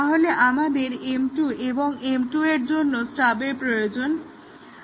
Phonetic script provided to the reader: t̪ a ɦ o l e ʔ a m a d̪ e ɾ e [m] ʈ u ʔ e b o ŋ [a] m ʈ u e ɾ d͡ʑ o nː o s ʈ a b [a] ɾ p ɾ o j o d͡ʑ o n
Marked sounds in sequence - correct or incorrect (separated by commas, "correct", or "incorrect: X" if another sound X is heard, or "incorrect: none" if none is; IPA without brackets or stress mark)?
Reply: correct, incorrect: e, incorrect: e